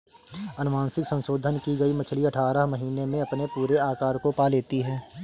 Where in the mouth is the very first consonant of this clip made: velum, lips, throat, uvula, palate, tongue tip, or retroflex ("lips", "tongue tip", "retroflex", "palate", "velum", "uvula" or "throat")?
tongue tip